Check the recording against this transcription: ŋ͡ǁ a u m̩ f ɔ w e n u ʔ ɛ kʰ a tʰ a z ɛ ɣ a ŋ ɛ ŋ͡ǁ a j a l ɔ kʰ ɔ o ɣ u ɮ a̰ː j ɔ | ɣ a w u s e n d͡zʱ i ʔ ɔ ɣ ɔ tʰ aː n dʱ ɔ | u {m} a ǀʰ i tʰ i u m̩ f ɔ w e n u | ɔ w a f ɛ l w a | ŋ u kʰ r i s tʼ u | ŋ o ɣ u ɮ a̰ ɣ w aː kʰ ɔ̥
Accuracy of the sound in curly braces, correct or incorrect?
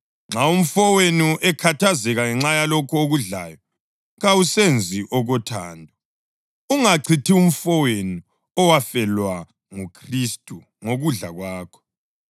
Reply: incorrect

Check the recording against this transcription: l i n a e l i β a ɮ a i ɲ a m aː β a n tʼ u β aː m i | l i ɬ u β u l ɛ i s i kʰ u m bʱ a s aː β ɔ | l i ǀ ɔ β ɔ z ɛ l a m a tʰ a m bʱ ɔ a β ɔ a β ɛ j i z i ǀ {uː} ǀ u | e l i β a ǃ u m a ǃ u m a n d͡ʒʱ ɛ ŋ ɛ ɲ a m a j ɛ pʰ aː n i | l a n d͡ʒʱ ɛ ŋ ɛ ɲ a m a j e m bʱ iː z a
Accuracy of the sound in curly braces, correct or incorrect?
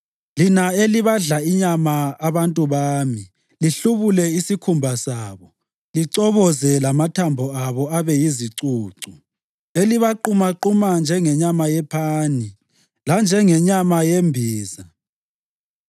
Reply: correct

